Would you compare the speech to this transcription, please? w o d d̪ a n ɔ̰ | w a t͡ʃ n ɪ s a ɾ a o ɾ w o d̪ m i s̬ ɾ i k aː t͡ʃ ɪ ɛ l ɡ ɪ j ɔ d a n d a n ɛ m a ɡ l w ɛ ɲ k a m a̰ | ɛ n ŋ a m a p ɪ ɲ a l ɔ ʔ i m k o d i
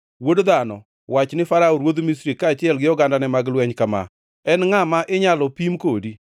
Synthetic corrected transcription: w o d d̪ a n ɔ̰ | w a t͡ʃ n ɪ f a ɾ a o ɾ w o d̪ m i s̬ ɾ i k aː t͡ʃ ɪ ɛ l ɡ ɪ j ɔ ɡ a n d a n ɛ m a ɡ l w ɛ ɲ k a m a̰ | ɛ n ŋ a m a ʔ ɪ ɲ a l ɔ p i m k o d i